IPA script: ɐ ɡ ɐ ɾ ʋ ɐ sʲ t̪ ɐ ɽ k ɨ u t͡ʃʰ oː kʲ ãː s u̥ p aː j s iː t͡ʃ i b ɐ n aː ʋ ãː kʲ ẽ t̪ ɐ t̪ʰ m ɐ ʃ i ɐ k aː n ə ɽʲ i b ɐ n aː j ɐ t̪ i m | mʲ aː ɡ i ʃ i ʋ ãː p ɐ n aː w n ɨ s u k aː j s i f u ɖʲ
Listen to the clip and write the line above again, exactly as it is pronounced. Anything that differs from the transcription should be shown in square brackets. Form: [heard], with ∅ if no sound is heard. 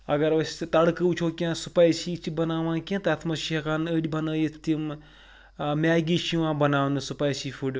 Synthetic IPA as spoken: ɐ ɡ ɐ ɾ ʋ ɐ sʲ t̪ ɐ ɽ k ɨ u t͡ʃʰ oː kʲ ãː s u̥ p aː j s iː t͡ʃ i b ɐ n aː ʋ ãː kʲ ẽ t̪ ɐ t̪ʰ m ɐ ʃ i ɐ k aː n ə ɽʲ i b ɐ n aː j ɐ t̪ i m | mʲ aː ɡ i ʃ i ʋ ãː [b] ɐ n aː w n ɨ s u [p] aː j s i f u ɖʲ

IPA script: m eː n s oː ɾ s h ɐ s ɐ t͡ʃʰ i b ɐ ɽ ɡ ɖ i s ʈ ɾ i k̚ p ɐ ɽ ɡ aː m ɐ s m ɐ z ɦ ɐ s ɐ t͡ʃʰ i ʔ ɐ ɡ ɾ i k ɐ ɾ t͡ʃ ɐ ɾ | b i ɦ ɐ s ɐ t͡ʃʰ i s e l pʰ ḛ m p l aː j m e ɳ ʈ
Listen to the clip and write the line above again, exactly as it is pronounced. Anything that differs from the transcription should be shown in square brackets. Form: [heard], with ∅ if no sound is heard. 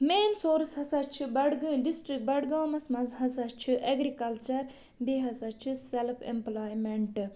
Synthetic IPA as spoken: m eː n s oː ɾ s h ɐ s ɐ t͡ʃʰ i b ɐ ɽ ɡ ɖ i s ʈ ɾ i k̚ [b] ɐ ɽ ɡ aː m ɐ s m ɐ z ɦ ɐ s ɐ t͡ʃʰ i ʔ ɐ ɡ ɾ i k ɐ [l] t͡ʃ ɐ ɾ | b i ɦ ɐ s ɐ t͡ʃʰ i s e l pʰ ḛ m p l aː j m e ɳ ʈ

